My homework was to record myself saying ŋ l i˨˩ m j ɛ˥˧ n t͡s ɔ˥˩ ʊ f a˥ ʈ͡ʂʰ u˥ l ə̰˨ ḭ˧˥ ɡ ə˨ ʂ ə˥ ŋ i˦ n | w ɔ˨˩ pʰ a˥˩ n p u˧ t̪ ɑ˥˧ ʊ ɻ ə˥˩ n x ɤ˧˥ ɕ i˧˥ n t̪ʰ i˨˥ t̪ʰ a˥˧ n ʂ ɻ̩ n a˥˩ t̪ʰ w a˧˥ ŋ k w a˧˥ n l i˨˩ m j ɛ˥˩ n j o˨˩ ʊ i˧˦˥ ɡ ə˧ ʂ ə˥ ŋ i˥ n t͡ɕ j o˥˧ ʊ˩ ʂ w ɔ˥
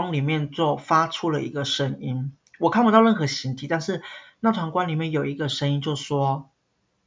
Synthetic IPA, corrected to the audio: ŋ l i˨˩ m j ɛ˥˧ n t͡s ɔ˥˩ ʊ f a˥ ʈ͡ʂʰ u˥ l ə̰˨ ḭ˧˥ ɡ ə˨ ʂ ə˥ ŋ i˦ n | w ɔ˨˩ kʰ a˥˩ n p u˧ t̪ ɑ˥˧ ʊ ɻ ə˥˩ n x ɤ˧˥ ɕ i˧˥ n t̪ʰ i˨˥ t̪ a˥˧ n ʂ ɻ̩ n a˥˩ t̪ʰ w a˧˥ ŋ k w a˥ n l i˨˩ m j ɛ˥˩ n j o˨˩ ʊ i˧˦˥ ɡ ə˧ ʂ ə˥ ŋ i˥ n t͡ɕ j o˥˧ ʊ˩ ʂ w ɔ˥